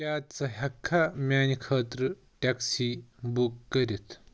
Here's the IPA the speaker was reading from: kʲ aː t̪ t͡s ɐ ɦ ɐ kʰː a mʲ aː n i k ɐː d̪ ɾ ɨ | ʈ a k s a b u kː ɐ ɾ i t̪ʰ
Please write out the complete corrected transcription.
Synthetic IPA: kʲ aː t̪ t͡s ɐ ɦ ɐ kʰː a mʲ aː n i kʰ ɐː t̪ ɾ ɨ | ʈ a k s i b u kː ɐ ɾ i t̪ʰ

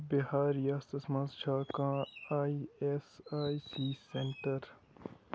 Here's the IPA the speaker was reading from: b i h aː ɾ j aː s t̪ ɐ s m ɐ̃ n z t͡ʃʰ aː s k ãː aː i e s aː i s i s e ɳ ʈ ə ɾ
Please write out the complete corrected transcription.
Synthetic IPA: b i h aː ɾ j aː s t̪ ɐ s m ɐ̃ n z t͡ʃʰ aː k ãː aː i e s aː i s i s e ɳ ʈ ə ɾ

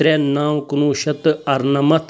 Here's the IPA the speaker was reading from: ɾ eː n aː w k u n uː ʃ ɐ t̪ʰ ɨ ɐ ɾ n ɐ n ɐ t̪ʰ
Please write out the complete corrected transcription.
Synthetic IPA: ɾ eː n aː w k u n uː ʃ ɐ t̪ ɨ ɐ ɾ n ɐ m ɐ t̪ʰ

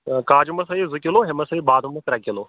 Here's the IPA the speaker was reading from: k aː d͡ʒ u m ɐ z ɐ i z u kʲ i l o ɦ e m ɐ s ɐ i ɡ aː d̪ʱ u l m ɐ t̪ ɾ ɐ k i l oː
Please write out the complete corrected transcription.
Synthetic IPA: k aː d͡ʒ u m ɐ s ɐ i z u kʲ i l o ɦ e m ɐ s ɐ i b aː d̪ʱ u m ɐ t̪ ɾ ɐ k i l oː

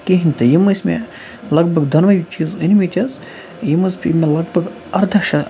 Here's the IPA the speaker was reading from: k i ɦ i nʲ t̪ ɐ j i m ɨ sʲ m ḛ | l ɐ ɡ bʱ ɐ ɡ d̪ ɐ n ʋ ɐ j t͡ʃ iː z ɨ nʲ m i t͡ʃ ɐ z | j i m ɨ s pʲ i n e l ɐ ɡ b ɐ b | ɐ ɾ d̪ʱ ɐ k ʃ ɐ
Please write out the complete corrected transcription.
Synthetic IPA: k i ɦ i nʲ t̪ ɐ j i m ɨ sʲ m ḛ | l ɐ ɡ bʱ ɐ ɡ d̪ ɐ n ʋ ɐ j t͡ʃ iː z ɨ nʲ m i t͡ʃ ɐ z | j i m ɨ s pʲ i m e l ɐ ɡ b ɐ ɡ | ɐ ɾ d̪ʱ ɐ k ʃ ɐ

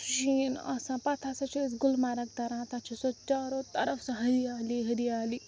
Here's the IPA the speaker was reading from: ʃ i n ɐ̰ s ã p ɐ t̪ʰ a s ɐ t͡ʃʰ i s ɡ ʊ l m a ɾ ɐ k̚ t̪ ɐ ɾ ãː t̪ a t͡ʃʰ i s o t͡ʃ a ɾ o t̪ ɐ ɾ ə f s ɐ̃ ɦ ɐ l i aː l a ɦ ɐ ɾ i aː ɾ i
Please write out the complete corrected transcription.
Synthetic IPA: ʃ i n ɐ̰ s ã p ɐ t̪ʰ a s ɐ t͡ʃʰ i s ɡ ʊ l m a ɾ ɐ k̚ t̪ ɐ ɾ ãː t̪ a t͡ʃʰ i s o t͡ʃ a ɾ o t̪ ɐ ɾ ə f s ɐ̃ ɦ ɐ ɾ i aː l i ɦ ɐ ɾ i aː l i

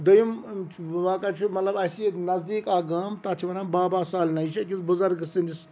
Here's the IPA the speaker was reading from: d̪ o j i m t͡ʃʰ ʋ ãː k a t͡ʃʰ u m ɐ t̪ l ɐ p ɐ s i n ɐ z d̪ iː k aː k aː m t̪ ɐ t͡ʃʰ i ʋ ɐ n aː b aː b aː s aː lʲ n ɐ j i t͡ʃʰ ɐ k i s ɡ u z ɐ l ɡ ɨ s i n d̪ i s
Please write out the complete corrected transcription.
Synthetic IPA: d̪ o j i m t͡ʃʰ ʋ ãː k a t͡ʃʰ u m ɐ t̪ l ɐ b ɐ s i n ɐ z d̪ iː k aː ɡ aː m t̪ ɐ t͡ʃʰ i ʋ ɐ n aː b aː b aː s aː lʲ n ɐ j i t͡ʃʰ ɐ k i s b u z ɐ ɾ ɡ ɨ s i n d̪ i s

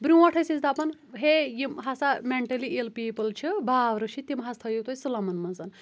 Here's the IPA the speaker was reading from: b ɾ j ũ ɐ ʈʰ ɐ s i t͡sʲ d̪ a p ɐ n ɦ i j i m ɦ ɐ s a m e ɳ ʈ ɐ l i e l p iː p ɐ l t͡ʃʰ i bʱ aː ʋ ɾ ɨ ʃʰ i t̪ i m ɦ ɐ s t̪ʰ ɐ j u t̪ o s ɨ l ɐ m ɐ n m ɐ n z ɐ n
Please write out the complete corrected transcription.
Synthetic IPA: b ɾ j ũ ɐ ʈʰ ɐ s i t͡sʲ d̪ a p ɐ n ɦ e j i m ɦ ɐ s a m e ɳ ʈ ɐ l i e l p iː p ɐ l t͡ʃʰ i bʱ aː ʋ ɾ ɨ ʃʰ i t̪ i m ɦ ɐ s t̪ʰ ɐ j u t̪ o s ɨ l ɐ m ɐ n m ɐ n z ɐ n

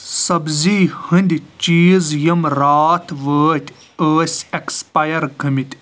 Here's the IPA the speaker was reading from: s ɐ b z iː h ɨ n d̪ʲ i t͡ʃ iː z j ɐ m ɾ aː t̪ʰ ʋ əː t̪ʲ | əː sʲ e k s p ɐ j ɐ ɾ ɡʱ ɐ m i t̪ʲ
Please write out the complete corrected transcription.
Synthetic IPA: s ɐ b z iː h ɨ n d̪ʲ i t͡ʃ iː z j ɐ m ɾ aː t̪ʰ ʋ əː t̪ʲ | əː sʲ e k s p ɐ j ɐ ɾ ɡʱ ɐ m i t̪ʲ

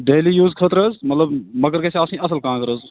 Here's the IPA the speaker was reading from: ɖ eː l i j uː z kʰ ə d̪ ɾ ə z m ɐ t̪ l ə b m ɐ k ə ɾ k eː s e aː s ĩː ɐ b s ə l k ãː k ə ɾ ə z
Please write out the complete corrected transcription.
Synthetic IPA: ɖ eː l i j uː z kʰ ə t̪ ɾ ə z m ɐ t̪ l ə b m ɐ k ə ɾ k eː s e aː s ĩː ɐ s ə l k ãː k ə ɾ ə z

